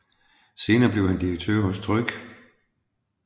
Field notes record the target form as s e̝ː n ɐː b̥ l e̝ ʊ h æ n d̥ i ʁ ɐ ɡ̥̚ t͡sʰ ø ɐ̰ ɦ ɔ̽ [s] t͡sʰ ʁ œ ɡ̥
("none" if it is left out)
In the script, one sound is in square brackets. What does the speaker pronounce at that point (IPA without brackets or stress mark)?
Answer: s